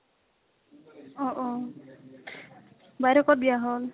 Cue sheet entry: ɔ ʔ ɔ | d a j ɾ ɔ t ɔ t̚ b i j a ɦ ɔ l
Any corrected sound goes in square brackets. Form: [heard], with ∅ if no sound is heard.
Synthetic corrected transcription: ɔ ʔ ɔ | [b] a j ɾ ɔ [k] ɔ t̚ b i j a ɦ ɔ l